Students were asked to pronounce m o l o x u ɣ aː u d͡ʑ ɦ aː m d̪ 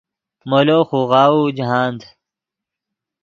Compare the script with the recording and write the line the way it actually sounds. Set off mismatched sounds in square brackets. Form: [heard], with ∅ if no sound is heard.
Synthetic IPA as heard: m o l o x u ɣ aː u d͡ʑ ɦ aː [n] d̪

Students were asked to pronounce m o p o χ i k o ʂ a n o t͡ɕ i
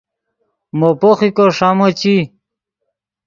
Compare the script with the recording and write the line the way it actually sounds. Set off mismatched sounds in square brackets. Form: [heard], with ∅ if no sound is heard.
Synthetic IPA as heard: m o p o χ i k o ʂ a [m] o t͡ɕ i

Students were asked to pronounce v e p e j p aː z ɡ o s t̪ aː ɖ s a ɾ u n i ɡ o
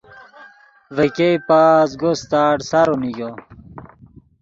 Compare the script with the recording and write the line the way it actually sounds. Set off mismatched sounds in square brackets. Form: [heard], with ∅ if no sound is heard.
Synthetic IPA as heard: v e [k] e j p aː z ɡ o s t̪ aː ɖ s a ɾ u n i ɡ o

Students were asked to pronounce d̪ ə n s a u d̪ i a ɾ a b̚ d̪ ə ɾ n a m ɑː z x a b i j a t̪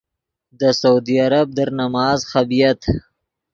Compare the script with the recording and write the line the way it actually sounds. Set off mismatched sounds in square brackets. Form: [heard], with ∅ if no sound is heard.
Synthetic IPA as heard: d̪ ə [∅] s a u d̪ i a ɾ a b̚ d̪ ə ɾ n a m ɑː z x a b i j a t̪

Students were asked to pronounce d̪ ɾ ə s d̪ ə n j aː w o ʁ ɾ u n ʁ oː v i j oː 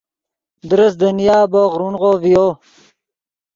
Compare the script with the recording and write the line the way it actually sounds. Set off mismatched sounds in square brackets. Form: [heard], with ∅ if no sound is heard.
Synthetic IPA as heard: d̪ ɾ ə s d̪ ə n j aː [b] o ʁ ɾ u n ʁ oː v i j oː

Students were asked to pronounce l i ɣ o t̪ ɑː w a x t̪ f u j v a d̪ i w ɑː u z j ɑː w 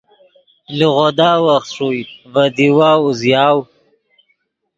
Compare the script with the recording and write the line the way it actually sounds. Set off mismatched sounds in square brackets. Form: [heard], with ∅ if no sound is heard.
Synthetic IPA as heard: l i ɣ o [d̪] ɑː w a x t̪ [ʂ] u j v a d̪ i w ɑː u z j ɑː w

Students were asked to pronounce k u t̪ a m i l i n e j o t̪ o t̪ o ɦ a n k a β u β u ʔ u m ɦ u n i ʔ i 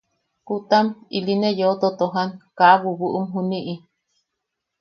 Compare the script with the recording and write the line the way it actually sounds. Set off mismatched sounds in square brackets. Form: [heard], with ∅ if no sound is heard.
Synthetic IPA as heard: k u t̪ a m i l i n e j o t̪ o t̪ o ɦ a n k a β u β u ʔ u m ɦ u n i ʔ i

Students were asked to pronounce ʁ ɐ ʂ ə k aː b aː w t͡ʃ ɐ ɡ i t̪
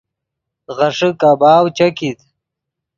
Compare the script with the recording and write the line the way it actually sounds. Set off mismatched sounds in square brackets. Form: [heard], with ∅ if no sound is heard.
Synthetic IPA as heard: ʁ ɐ ʂ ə k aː b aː w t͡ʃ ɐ [k] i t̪

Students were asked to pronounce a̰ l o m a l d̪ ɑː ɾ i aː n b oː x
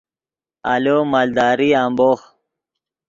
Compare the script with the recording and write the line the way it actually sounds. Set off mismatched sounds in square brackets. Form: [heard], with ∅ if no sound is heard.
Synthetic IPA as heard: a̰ l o m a l d̪ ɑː ɾ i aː [m] b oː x

